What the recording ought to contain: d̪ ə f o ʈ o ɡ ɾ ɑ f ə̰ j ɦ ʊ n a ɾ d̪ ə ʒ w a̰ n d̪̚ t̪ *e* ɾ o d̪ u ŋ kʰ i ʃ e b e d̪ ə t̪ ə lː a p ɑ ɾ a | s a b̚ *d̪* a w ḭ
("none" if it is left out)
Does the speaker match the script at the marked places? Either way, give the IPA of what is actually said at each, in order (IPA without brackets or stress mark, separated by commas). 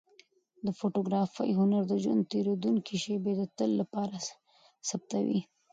e, t̪